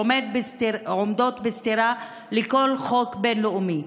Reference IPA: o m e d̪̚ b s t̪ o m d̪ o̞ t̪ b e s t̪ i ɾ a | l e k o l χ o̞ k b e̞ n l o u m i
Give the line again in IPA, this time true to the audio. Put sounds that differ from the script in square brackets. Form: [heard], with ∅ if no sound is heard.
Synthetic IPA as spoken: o m e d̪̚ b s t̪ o m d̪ o̞ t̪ b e s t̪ i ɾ a | l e k o l χ o̞ k b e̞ n l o u m i